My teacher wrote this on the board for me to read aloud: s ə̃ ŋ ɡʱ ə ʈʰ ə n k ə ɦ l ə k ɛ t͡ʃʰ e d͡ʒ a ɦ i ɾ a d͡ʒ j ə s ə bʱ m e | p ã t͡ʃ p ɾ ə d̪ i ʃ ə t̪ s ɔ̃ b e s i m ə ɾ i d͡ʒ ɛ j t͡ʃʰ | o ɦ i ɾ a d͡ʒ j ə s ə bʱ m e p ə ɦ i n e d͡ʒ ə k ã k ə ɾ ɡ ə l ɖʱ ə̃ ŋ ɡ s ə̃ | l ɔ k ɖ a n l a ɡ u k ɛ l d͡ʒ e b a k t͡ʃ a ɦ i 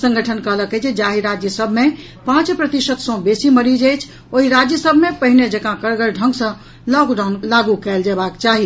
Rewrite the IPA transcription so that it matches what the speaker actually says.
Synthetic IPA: s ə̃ ŋ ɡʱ ə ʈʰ ə n k ə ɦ l ə k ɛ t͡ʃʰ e d͡ʒ a ɦ i ɾ a d͡ʒ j ə s ə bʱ m e | p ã t͡ʃ p ɾ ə t̪ i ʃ ə t̪ s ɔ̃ b e s i m ə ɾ i d͡ʒ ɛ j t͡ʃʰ | o ɦ i ɾ a d͡ʒ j ə s ə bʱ m e p ə ɦ i n e d͡ʒ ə k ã k ə ɾ ɡ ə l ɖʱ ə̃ ŋ ɡ s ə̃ | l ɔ k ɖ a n l a ɡ u k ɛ l d͡ʒ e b a k t͡ʃ a ɦ i